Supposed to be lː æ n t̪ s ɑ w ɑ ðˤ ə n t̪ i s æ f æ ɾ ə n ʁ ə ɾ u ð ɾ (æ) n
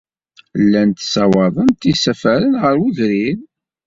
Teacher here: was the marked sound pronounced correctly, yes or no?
no